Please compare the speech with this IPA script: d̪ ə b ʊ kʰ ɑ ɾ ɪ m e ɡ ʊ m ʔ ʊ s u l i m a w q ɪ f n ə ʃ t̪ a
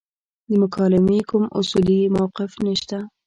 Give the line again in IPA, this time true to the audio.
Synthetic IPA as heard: d̪ ə m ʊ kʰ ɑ l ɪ m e k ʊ m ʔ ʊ s u l i m a w q ɪ f n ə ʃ t̪ a